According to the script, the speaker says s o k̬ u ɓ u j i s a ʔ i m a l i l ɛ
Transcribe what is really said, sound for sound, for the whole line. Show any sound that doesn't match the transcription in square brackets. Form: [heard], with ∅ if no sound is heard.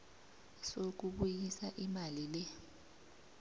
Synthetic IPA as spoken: s o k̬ u ɓ u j i s a ʔ i m a l i l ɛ